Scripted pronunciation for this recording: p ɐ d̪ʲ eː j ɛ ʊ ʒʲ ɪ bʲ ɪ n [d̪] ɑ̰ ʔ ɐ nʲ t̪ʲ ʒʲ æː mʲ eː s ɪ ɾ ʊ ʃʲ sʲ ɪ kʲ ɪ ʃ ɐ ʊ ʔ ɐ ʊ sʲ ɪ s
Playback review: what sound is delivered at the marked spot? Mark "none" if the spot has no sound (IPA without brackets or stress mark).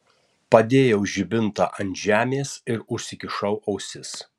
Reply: t̪